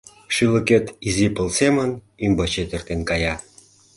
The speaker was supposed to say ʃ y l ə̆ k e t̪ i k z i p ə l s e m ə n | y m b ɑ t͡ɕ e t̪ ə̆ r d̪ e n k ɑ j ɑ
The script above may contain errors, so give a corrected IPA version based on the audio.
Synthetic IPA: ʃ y l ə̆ k e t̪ i z i p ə l s e m ə n | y m b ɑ t͡ɕ e t̪ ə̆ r t̪ e n k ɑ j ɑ